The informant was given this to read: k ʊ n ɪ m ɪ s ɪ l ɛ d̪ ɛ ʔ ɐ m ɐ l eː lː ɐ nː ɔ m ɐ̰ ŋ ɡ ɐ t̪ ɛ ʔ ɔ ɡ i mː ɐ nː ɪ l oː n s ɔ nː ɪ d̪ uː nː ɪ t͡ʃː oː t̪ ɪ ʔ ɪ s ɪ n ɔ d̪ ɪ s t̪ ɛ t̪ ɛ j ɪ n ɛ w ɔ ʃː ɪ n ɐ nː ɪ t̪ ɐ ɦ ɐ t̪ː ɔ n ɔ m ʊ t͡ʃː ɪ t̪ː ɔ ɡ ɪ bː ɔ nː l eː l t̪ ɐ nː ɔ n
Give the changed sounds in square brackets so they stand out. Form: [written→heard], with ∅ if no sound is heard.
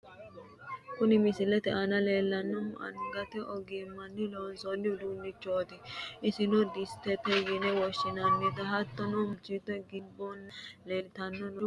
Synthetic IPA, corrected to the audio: k ʊ n ɪ m ɪ s ɪ l ɛ [d̪→t̪] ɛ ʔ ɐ [m→n] ɐ l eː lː ɐ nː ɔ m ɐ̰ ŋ ɡ ɐ t̪ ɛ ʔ ɔ ɡ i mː ɐ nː ɪ l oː n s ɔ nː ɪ d̪ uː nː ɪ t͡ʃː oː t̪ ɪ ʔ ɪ s ɪ n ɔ d̪ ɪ s t̪ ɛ t̪ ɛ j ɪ n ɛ w ɔ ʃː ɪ n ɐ nː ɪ t̪ ɐ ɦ ɐ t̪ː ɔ n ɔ m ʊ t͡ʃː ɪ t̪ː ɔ ɡ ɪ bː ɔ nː l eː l t̪ ɐ nː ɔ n